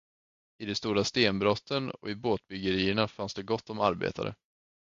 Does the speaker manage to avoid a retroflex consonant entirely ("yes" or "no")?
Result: no